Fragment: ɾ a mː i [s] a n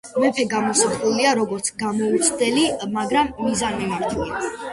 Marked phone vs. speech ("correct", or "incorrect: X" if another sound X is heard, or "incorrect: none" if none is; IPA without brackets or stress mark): incorrect: z